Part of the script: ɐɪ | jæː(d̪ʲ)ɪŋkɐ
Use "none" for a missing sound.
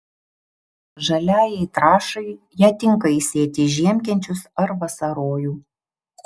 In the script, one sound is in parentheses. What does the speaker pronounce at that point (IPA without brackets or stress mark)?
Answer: t̪ʲ